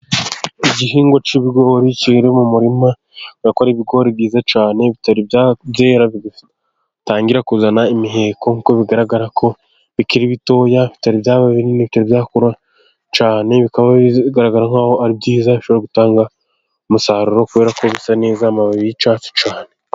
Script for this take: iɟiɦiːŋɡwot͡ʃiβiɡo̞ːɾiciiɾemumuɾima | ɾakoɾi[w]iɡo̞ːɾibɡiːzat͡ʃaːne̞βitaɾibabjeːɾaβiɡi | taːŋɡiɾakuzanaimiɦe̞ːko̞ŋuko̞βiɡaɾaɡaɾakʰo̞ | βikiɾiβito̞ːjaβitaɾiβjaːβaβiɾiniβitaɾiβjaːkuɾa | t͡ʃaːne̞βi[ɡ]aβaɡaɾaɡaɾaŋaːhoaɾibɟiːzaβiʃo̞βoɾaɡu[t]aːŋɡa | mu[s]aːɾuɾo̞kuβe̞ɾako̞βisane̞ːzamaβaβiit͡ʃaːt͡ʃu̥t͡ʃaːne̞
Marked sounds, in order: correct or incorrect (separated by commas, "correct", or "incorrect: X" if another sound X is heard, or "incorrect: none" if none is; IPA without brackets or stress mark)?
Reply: incorrect: β, incorrect: k, correct, correct